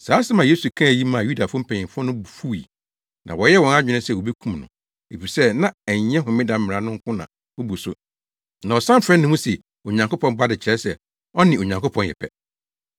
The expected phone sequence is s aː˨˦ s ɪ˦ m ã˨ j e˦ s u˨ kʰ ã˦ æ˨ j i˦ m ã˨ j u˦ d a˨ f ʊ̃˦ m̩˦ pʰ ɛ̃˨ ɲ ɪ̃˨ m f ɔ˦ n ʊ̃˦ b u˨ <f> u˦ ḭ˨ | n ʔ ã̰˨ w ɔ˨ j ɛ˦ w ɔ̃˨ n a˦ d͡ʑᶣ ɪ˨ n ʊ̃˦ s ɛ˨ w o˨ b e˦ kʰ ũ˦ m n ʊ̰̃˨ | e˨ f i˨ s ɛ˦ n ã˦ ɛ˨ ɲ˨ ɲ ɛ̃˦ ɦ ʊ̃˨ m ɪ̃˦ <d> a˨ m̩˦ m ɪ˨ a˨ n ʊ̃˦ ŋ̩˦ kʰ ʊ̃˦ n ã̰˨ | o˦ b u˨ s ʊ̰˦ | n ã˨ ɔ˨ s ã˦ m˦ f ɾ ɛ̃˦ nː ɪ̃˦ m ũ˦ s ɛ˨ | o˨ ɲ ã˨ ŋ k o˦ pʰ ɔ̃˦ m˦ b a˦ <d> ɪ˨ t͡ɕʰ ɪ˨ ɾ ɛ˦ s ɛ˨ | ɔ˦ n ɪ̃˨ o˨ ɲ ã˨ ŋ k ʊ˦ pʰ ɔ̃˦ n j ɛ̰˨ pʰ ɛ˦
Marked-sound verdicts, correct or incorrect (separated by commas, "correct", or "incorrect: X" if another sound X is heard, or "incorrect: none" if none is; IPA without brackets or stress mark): correct, correct, correct